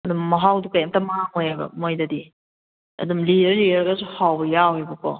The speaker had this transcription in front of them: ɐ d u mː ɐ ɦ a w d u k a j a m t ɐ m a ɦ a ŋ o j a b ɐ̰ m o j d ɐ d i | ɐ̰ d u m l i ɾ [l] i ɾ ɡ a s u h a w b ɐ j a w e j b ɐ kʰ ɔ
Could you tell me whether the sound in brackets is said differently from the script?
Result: no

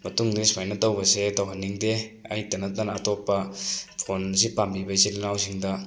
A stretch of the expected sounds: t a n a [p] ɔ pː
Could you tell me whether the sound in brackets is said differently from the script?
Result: yes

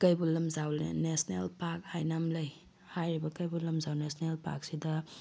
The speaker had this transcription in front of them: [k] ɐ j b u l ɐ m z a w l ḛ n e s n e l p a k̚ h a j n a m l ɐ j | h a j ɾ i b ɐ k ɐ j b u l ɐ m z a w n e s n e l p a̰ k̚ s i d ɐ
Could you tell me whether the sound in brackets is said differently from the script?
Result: no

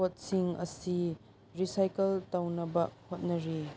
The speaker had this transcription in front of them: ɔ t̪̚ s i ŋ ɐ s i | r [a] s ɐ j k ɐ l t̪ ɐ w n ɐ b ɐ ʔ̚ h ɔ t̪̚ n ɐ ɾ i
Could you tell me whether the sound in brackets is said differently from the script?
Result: yes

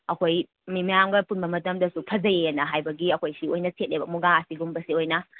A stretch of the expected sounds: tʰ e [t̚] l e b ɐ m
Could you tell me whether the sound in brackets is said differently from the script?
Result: no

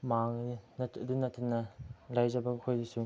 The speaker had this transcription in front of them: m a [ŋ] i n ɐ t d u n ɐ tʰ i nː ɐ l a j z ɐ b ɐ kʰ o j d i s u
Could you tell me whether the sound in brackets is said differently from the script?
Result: no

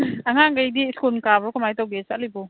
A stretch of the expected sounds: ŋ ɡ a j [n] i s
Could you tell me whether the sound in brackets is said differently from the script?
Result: yes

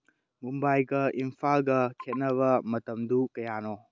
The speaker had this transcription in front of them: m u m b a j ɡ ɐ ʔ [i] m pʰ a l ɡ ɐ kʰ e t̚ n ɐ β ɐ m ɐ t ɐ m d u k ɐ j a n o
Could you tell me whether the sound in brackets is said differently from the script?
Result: no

